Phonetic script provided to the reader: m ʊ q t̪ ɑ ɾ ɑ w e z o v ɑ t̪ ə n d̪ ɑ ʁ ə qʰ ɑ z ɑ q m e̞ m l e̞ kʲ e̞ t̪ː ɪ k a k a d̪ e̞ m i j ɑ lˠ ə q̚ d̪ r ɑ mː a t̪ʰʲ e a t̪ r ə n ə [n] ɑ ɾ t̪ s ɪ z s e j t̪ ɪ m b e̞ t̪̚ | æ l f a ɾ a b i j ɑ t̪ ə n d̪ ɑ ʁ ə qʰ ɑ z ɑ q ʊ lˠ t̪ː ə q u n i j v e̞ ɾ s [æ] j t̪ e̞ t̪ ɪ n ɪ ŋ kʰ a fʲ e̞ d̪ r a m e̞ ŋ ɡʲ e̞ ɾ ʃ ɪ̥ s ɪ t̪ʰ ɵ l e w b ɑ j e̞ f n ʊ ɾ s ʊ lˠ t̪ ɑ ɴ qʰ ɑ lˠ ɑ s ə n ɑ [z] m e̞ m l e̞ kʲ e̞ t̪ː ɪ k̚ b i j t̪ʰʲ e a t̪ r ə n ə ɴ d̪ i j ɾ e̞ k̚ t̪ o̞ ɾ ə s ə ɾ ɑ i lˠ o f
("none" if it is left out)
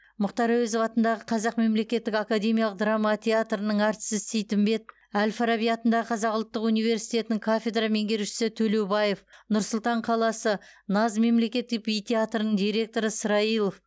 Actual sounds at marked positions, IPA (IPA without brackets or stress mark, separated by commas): ɴ, i, z